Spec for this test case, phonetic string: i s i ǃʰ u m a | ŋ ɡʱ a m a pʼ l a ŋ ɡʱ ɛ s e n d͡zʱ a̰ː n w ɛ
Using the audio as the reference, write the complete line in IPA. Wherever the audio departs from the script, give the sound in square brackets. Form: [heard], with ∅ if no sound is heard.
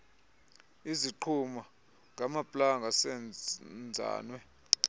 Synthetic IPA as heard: i [z] i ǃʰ u m a | ŋ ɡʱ a m a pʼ l a ŋ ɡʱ [a] s [ɛ] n d͡zʱ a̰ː n w ɛ